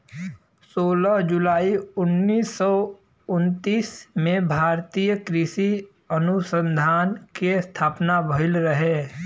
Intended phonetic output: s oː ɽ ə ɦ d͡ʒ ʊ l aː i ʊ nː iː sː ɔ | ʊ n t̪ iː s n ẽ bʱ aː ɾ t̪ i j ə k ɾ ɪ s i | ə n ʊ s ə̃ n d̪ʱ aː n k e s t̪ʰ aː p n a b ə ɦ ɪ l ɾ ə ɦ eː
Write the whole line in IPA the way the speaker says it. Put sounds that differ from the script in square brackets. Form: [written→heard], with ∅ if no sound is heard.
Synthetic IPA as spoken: s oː [ɽ→l] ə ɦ d͡ʒ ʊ l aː i ʊ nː iː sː ɔ | ʊ n t̪ iː s [n→m] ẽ bʱ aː ɾ t̪ i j ə k ɾ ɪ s i | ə n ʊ s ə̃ n d̪ʱ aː n k e s t̪ʰ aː p n a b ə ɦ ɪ l ɾ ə ɦ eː